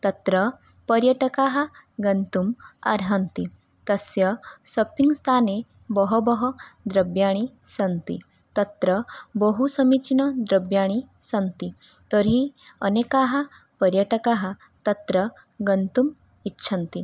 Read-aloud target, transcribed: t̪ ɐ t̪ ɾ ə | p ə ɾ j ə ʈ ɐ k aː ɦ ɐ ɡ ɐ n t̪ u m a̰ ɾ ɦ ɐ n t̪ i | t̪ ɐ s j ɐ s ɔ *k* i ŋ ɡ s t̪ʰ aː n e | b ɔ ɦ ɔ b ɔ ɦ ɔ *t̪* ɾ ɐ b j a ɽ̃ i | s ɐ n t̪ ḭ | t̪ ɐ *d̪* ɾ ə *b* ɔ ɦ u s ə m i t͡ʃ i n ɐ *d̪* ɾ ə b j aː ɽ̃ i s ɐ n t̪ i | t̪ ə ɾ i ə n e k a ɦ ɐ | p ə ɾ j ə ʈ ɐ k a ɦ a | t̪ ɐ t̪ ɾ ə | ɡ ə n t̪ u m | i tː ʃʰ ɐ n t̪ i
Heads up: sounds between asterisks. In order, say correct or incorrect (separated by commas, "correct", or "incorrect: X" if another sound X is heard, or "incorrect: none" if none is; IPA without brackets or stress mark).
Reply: incorrect: p, incorrect: d̪, incorrect: t̪, correct, correct